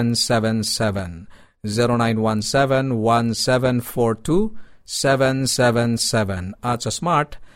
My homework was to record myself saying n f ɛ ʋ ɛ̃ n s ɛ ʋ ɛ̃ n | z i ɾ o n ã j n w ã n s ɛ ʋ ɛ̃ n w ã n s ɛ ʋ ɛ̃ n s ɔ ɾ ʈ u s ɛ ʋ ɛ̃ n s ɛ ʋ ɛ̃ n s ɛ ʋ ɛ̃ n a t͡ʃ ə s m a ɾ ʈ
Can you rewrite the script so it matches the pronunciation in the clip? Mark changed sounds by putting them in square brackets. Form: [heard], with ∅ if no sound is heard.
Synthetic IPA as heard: n [s] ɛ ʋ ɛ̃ n s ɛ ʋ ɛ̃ n | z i ɾ o n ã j n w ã n s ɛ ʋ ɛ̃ n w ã n s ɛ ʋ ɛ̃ n [f] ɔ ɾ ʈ u s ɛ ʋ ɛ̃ n s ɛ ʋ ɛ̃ n s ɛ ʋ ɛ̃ n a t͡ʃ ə s m a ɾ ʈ